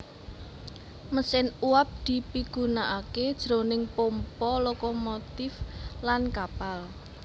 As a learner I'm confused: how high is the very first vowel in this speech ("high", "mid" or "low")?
mid